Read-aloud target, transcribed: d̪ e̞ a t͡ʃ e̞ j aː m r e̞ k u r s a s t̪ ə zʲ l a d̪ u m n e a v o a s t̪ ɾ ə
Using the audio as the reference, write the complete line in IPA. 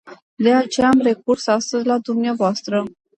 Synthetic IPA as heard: d̪ e̞ a t͡ʃ e̞ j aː m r e̞ k u r s a s t̪ ə zʲ l a d̪ u m n e a v o a s t̪ ɾ ə